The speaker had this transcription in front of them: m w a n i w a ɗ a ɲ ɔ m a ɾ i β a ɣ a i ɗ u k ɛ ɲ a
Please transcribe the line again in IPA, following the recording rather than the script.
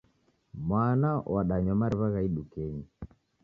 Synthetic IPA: m w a n a w a ɗ a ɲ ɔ m a ɾ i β a ɣ a i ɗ u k ɛ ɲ i